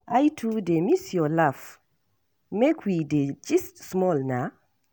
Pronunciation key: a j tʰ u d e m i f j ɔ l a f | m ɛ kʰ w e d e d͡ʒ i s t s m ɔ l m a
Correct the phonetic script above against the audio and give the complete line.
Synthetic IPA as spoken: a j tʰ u d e m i s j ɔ l a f | m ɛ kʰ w i d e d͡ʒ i s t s m ɔ l n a